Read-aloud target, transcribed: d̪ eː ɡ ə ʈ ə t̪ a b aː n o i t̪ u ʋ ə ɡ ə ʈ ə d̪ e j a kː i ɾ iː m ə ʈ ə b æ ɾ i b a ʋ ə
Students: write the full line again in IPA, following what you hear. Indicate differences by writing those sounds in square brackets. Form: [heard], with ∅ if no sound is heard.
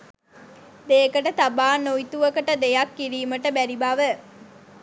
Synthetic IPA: d̪ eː [k] ə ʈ ə t̪ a b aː n o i t̪ u ʋ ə [k] ə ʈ ə d̪ e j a kː i ɾ iː m ə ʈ ə b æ ɾ i b a ʋ ə